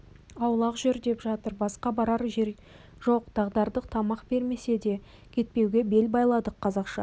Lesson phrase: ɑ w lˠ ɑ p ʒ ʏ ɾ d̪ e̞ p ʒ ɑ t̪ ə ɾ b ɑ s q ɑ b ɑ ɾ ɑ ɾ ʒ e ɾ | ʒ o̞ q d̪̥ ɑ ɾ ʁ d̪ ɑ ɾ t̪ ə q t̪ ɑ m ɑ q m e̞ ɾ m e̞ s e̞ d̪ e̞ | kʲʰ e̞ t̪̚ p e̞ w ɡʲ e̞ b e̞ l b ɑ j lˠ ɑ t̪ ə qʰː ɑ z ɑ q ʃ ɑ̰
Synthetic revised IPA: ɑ w lˠ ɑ q ʒ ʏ ɾ d̪ e̞ p ʒ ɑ t̪ ə ɾ b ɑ s q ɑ b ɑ ɾ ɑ ɾ ʒ e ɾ | ʒ o̞ q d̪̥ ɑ ʁ d̪ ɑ ɾ d̪ ə q t̪ʰ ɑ m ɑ q b e̞ ɾ m e̞ s e̞ d̪ e̞ | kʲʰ e̞ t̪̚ p e̞ w ɡʲ e̞ b e̞ l b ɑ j lˠ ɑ d̪ ə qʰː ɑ z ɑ q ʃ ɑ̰